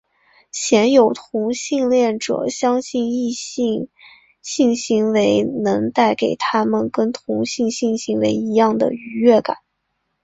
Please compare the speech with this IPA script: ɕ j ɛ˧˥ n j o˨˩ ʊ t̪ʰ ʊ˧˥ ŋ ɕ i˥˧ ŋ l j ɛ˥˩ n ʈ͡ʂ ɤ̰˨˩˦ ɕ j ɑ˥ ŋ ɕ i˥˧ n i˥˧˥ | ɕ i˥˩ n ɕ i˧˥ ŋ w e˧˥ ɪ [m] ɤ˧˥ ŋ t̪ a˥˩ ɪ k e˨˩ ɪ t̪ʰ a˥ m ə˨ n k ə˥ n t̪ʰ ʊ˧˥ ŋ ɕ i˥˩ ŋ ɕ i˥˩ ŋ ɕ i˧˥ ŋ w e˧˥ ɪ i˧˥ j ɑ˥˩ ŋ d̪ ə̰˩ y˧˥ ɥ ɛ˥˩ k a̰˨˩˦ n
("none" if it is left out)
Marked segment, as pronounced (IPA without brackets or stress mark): n